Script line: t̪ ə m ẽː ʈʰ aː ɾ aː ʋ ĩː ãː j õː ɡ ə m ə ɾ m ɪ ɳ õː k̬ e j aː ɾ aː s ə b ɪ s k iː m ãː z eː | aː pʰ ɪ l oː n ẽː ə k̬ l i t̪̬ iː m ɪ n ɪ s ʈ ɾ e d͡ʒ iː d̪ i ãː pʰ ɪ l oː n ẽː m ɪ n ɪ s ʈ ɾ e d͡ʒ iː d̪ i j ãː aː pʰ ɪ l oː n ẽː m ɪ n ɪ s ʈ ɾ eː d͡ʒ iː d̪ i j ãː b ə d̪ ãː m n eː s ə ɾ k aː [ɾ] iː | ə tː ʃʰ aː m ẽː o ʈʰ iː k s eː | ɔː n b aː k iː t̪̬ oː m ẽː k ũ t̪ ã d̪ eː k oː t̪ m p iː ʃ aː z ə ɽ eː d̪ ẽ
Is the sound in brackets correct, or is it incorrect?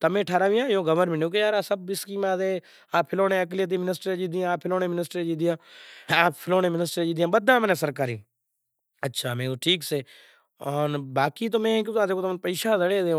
correct